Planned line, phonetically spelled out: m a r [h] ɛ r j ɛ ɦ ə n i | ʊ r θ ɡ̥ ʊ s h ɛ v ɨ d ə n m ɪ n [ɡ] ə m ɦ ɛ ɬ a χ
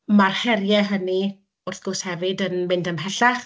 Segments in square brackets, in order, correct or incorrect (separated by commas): correct, incorrect